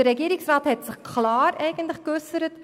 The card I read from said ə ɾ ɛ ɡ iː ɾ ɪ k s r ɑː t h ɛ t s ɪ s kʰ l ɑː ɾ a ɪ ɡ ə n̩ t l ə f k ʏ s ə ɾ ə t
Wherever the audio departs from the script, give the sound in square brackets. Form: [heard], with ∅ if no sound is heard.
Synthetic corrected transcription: ə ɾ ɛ ɡ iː ɾ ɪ k s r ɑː t h ɛ t s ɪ [χ] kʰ l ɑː ɾ [ɛ] ɪ ɡ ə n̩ t l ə [χ] k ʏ s ə ɾ ə t

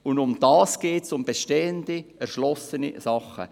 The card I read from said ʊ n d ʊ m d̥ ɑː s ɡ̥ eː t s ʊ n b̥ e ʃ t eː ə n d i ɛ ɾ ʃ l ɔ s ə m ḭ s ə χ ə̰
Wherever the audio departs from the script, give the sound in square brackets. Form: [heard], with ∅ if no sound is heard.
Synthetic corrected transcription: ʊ n d ʊ m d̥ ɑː s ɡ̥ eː t s ʊ [m] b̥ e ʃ t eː ə n d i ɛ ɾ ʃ l ɔ s ə [n] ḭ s [ɑ] χ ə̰

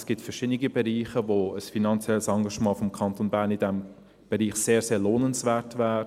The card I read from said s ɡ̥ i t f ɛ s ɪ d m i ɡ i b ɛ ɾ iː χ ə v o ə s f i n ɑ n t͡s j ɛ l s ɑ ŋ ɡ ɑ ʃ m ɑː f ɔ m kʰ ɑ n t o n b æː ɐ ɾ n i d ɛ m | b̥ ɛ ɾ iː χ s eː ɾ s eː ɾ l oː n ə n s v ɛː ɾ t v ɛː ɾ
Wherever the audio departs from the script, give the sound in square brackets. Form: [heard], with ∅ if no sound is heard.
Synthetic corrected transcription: s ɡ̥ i t f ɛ [ʃ] ɪ d [n] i ɡ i b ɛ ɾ iː χ ə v o ə s f i n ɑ n t͡s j ɛ l s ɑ ŋ ɡ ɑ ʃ m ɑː f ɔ m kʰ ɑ n t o n b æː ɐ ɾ n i d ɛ m | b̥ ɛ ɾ iː χ s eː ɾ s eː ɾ l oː n ə n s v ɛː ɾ t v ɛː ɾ

